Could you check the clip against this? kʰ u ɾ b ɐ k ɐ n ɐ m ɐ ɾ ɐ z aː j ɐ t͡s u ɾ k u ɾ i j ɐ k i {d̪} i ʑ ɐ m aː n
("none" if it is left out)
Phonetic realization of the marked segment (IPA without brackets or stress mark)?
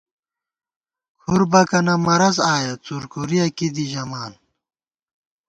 d̪